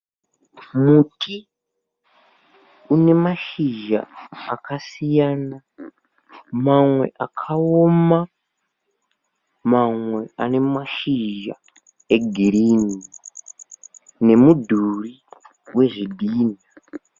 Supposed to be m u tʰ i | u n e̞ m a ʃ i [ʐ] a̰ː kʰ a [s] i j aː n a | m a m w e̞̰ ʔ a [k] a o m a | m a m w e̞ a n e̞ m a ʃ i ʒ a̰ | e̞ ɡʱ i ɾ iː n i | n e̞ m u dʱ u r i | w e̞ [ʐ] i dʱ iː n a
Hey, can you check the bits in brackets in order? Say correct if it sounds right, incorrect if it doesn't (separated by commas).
incorrect, correct, incorrect, correct